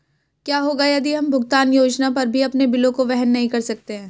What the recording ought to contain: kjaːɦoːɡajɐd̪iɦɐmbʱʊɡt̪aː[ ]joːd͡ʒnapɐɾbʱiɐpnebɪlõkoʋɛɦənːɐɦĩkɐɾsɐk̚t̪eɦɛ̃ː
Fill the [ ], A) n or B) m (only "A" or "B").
A